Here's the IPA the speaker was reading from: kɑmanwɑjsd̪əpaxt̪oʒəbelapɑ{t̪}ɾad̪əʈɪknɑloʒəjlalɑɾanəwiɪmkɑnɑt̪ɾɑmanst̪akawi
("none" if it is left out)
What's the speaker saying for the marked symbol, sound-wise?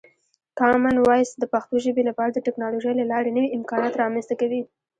none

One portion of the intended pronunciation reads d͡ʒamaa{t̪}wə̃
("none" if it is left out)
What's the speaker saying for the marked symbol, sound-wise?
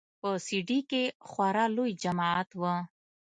t̪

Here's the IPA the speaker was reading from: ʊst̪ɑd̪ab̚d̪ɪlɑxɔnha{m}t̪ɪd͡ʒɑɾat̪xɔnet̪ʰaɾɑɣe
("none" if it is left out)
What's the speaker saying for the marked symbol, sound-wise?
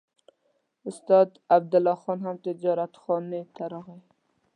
m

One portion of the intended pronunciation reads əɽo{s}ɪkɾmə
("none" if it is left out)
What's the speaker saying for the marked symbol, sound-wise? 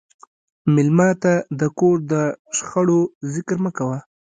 z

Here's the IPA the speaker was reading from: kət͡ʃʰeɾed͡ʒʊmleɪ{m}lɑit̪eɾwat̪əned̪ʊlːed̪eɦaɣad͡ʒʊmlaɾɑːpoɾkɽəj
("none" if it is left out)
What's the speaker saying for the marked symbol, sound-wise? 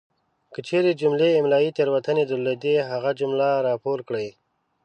m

